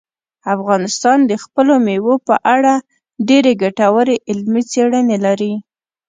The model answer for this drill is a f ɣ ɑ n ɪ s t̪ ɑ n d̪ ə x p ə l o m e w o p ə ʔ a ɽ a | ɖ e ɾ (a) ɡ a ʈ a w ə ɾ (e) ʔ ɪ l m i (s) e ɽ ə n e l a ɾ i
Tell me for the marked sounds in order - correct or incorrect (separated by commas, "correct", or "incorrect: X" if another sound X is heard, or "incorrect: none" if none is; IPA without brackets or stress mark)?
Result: incorrect: e, correct, incorrect: t͡s